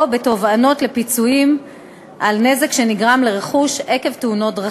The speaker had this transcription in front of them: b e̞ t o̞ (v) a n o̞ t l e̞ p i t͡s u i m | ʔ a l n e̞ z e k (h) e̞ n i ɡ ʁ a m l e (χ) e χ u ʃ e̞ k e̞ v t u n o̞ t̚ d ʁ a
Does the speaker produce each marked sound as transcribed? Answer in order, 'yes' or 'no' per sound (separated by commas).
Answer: yes, no, no